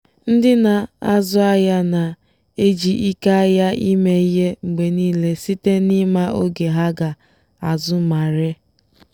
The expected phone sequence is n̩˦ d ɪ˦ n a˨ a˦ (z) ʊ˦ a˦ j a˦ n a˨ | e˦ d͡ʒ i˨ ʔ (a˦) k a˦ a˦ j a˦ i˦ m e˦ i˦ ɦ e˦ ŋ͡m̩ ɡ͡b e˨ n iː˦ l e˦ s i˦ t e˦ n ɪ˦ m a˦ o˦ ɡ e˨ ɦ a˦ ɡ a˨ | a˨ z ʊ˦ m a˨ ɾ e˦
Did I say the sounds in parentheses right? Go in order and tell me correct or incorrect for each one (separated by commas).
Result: correct, incorrect